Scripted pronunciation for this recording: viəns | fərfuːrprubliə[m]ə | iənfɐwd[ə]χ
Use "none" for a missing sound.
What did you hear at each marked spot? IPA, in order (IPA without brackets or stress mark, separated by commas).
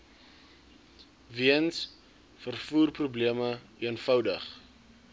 m, ə